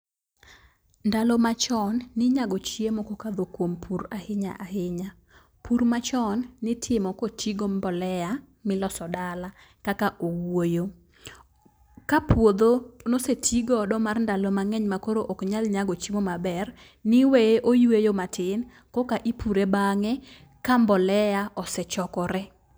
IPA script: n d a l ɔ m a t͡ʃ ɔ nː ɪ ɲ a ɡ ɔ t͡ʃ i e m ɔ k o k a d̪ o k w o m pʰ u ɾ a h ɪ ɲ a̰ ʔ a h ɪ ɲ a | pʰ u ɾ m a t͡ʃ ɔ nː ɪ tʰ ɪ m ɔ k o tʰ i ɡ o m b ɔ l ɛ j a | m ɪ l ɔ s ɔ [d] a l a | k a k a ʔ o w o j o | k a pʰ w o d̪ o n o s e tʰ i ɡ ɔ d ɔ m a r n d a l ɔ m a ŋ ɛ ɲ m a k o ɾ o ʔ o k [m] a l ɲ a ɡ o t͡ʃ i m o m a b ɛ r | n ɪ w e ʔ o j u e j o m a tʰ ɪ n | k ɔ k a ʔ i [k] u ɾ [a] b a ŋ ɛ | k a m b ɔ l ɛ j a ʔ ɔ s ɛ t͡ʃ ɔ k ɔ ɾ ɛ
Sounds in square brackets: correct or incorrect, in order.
correct, incorrect: ɲ, incorrect: p, incorrect: e

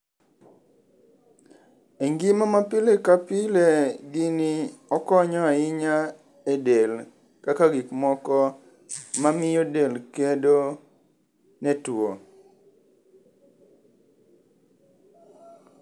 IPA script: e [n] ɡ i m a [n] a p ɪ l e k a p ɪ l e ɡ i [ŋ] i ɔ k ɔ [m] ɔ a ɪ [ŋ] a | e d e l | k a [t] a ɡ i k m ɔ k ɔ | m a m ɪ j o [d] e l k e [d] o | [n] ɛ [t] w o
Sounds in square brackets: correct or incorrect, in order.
incorrect: ŋ, incorrect: m, incorrect: n, incorrect: ɲ, incorrect: ɲ, incorrect: k, correct, correct, correct, correct

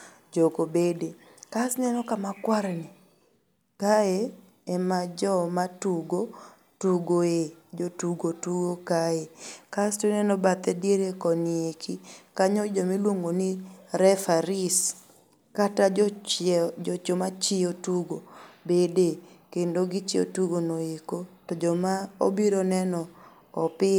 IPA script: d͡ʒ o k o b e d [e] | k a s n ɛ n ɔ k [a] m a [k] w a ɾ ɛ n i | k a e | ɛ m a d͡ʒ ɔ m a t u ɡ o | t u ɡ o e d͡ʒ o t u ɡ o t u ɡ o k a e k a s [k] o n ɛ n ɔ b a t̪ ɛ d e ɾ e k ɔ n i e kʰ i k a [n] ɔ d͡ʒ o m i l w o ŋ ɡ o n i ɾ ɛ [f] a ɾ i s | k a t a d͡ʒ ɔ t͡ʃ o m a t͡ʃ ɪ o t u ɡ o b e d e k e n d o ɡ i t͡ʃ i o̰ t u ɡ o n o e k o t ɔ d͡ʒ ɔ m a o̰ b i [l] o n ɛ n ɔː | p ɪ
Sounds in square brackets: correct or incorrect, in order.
correct, correct, correct, incorrect: t, incorrect: ɲ, correct, incorrect: ɾ

